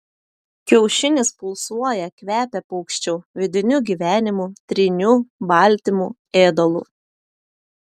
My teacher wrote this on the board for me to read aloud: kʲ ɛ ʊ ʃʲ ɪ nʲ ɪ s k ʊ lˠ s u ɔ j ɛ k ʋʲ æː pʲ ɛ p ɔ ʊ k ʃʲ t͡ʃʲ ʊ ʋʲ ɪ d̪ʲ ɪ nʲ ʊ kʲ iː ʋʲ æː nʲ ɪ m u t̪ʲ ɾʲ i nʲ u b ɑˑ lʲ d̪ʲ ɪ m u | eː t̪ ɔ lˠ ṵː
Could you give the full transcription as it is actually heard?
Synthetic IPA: kʲ ɛ ʊ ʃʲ ɪ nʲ ɪ s p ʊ lˠ s u ɔ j ɛ k ʋʲ æː pʲ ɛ p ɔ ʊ k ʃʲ t͡ʃʲ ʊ ʋʲ ɪ d̪ʲ ɪ nʲ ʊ ɡʲ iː ʋʲ æː nʲ ɪ m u t̪ʲ ɾʲ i nʲ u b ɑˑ lʲ t̪ʲ ɪ m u | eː d̪ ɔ lˠ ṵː

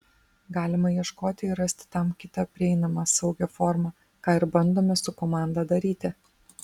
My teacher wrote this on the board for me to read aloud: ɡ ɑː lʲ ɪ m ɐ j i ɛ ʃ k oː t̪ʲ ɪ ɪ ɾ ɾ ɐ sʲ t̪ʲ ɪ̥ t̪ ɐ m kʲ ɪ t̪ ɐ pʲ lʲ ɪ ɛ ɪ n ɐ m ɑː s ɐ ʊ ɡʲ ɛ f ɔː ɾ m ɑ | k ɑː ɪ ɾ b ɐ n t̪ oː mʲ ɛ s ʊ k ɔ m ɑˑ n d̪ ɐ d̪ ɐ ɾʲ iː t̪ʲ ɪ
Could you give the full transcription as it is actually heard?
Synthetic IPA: ɡ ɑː lʲ ɪ m ɐ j i ɛ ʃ k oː t̪ʲ ɪ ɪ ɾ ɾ ɐ sʲ t̪ʲ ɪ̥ t̪ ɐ m kʲ ɪ t̪ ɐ pʲ ɾʲ ɪ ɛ ɪ n ɐ m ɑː s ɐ ʊ ɡʲ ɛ f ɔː ɾ m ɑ | k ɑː ɪ ɾ b ɐ n d̪ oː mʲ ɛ s ʊ k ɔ m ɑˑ n d̪ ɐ d̪ ɐ ɾʲ iː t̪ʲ ɪ

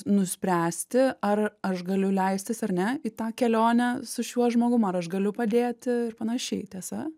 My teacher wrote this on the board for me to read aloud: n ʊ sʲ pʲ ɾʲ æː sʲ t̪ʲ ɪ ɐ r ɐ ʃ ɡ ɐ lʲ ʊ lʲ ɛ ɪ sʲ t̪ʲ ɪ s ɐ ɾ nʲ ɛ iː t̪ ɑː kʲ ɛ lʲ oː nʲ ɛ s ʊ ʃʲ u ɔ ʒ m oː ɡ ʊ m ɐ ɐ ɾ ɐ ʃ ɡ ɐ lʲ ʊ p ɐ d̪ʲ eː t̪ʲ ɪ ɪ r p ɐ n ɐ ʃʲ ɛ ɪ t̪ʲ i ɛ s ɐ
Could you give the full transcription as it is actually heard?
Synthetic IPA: n ʊ sʲ pʲ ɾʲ æː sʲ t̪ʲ ɪ ɐ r ɐ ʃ ɡ ɐ lʲ ʊ lʲ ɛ ɪ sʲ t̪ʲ ɪ s ɐ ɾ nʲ ɛ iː t̪ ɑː kʲ ɛ lʲ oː nʲ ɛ s ʊ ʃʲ u ɔ ʒ m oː ɡ ʊ m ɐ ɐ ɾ ɐ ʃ ɡ ɐ lʲ ʊ p ɐ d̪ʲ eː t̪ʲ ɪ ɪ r p ɐ n ɐ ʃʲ ɛ ɪ t̪ʲ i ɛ s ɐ

